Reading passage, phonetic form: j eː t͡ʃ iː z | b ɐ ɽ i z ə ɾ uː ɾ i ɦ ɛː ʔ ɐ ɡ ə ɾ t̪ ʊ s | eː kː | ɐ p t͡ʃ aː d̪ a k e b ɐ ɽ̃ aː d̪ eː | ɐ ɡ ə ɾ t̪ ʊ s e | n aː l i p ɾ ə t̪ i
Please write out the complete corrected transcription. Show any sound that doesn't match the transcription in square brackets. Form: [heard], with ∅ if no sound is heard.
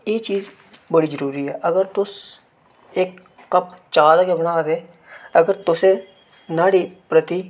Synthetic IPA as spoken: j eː t͡ʃ iː z | b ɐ ɽ i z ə ɾ uː ɾ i ɦ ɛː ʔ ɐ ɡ ə ɾ t̪ ʊ s | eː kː | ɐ p t͡ʃ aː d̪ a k e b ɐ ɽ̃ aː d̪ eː | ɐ ɡ ə ɾ t̪ ʊ s e | n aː [ɽ] i p ɾ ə t̪ i